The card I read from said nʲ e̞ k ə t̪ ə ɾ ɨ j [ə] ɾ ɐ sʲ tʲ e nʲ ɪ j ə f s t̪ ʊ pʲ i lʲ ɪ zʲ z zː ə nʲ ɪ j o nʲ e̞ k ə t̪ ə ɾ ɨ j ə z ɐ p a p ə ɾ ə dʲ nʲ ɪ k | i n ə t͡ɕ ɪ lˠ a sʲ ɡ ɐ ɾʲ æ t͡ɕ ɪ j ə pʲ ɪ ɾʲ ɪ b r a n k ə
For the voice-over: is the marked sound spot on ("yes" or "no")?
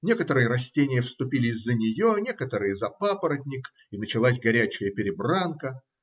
yes